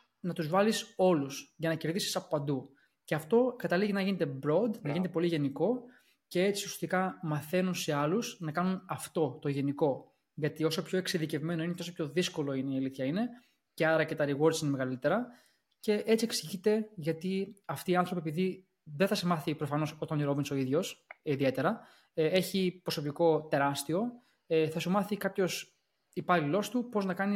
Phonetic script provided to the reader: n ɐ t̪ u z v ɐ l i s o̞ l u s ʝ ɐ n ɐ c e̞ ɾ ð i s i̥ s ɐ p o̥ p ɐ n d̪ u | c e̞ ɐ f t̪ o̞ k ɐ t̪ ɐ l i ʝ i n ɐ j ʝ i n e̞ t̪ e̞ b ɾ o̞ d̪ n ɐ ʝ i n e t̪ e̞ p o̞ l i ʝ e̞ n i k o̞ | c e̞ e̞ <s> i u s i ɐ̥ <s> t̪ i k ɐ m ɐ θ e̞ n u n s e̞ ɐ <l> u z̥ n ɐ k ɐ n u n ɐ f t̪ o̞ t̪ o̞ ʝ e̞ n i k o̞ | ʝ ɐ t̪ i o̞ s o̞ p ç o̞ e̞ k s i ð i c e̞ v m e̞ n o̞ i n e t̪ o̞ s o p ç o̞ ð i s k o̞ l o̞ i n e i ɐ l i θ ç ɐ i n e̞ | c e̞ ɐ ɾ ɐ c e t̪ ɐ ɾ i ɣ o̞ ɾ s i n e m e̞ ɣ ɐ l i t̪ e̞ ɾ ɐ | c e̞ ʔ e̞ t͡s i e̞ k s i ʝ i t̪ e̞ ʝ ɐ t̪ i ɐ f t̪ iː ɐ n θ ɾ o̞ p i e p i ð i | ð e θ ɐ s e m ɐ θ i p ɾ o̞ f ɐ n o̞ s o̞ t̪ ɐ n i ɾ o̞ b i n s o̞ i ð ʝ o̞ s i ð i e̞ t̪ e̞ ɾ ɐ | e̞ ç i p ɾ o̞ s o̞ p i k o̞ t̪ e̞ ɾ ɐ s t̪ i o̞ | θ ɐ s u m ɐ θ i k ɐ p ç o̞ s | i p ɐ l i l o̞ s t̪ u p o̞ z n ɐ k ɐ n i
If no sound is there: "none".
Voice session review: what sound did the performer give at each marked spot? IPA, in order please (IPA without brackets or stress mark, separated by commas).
t͡s, s, l